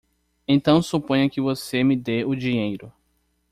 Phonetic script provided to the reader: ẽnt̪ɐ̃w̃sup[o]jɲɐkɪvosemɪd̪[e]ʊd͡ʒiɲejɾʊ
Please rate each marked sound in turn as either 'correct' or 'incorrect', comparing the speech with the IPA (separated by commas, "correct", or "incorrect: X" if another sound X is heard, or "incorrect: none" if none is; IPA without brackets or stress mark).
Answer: incorrect: õ, correct